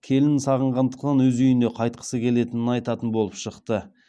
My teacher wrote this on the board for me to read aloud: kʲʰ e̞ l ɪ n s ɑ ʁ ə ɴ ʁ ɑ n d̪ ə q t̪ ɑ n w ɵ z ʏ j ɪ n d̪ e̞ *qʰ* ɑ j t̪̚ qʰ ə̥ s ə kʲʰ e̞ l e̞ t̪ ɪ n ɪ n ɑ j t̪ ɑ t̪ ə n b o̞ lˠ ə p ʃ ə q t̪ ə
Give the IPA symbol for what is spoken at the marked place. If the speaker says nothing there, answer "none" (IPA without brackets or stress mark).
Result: qʰ